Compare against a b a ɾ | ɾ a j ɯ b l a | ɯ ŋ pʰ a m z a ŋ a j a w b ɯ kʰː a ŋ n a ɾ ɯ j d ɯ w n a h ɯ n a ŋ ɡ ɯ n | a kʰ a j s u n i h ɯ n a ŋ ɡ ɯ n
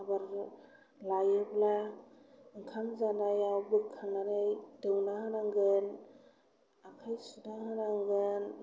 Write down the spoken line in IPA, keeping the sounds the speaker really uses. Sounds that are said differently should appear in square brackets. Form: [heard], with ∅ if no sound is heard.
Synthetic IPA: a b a ɾ | [l] a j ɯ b l a | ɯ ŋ [kʰ] a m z a [n] a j a w b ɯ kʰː a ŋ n a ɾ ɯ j d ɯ w n a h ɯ n a ŋ ɡ ɯ n | a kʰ a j s u n [a] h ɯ n a ŋ ɡ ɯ n